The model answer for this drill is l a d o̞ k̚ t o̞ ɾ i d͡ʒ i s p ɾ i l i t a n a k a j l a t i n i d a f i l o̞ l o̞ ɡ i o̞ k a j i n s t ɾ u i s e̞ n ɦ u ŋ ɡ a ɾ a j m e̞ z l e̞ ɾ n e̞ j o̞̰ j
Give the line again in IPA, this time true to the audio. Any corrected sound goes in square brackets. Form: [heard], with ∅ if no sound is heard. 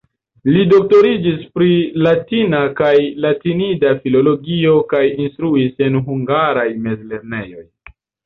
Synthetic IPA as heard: l [i] d o̞ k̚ t o̞ ɾ i d͡ʒ i s p ɾ i l [a] t [i] n a k a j l a t i n i d a f i l o̞ l o̞ ɡ i o̞ k a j i n s t ɾ u i s e̞ n ɦ u ŋ ɡ a ɾ a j m e̞ z l e̞ ɾ n e̞ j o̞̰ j